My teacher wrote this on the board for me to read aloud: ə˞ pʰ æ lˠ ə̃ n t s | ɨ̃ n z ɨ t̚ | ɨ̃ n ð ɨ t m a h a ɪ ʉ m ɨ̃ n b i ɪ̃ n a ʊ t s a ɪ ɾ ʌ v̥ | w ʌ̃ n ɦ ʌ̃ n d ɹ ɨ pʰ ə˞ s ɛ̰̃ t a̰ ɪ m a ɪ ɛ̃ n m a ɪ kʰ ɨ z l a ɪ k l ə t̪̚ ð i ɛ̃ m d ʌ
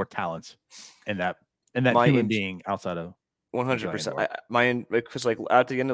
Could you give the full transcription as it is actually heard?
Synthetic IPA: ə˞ tʰ æ lˠ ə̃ n t s | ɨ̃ n ð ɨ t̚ | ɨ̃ n ð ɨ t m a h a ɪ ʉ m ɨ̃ n b i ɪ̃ ŋ a ʊ t s a ɪ ɾ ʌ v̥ | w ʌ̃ n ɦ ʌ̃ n d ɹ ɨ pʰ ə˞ s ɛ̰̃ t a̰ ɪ m a ɪ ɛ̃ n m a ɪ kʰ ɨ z l a ɪ k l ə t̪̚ ð i ɛ̃ n d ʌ